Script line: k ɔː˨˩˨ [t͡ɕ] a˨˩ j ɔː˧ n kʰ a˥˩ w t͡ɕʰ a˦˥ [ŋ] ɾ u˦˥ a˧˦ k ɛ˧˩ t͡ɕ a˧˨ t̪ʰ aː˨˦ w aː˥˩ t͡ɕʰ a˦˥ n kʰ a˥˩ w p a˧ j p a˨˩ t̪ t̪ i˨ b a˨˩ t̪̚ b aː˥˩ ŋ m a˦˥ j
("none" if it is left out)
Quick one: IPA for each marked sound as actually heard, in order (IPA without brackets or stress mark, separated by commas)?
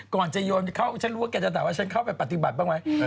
t͡ɕ, n